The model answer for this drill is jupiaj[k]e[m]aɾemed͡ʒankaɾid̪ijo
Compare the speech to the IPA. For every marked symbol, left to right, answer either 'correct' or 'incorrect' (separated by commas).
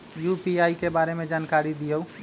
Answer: correct, incorrect